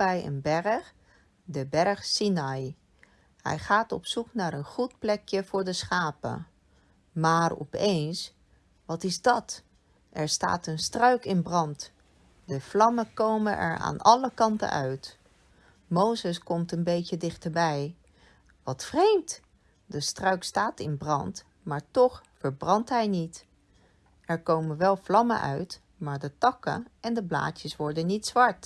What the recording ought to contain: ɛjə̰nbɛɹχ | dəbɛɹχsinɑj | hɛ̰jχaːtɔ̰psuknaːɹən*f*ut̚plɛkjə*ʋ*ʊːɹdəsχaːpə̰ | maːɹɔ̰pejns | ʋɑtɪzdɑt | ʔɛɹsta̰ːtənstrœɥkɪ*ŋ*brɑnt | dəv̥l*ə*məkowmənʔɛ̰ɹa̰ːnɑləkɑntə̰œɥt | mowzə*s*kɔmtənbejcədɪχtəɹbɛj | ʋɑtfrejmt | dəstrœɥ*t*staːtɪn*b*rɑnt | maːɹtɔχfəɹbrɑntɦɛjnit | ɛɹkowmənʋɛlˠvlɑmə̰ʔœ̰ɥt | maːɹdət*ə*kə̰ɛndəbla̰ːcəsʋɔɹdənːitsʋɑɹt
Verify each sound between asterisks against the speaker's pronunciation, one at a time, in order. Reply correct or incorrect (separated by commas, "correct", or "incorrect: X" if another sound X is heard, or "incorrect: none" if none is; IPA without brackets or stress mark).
incorrect: χ, incorrect: v, incorrect: n, incorrect: ɑ, correct, incorrect: k, correct, incorrect: ɑ